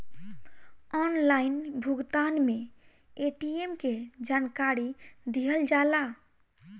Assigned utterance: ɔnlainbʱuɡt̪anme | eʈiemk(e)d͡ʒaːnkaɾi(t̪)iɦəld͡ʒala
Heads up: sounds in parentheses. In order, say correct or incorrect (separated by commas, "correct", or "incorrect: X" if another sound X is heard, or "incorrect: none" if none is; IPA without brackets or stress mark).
correct, incorrect: d̪